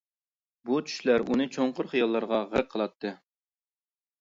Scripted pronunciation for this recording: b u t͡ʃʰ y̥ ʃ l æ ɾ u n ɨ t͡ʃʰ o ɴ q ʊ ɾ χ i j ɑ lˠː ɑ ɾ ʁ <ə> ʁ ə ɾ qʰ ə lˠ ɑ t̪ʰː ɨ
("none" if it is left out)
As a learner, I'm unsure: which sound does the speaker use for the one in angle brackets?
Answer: ɑ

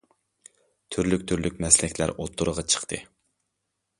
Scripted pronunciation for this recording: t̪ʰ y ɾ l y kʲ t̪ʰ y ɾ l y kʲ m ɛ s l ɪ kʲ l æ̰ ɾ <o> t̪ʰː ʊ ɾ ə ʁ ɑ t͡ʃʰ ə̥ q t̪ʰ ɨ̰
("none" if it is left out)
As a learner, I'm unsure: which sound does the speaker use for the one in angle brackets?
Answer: o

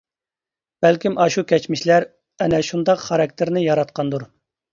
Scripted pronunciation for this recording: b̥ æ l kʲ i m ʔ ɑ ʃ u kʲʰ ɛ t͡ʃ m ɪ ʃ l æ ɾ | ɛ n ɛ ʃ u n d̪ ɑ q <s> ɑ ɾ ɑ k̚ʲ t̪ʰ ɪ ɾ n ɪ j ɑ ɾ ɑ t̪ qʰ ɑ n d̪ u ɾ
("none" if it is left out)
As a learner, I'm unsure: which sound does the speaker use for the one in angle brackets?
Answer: χ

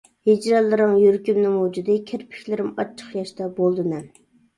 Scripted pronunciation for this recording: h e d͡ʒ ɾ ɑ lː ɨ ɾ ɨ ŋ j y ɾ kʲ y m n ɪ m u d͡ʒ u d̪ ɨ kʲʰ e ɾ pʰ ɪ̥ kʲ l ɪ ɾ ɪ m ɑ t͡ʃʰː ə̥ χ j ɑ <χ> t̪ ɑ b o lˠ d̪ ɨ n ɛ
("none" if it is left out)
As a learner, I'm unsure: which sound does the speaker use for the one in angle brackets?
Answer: ʃ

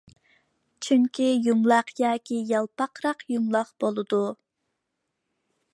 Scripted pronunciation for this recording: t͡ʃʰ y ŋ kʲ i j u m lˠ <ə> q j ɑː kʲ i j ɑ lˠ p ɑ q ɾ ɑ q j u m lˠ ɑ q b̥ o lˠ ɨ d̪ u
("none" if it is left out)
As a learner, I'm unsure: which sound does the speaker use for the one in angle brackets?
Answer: ɑ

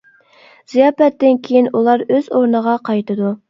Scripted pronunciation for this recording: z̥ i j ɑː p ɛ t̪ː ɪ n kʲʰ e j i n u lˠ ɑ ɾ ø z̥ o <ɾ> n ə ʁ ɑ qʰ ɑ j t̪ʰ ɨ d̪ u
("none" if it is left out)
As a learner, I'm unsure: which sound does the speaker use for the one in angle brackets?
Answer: ɾ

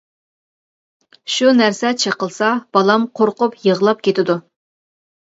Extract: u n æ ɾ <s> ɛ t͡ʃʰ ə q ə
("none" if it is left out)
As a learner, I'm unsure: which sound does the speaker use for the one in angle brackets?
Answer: s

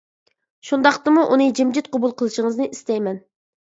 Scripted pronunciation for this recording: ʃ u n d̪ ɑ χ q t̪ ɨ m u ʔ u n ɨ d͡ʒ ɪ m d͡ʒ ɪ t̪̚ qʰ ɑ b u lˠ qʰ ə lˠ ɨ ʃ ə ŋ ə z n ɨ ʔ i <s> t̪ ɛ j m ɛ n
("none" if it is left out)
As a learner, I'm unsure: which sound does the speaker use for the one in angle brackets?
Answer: s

